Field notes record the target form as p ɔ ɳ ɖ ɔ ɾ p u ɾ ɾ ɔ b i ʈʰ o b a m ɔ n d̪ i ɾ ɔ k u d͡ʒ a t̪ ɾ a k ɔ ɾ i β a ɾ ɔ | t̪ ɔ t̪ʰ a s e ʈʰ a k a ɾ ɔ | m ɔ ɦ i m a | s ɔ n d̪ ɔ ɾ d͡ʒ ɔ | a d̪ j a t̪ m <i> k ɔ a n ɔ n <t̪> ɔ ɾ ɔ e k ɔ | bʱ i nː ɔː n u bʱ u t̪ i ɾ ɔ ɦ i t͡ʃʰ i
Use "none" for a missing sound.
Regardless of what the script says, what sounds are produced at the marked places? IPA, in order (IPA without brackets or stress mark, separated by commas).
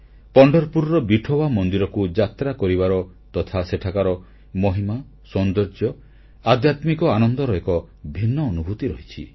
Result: i, d̪